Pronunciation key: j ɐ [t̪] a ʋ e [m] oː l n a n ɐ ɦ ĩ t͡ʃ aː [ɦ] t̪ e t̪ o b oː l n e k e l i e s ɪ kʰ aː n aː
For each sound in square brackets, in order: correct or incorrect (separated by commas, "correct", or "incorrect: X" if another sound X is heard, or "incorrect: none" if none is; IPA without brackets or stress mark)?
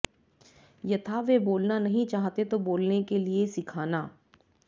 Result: incorrect: t̪ʰ, incorrect: b, correct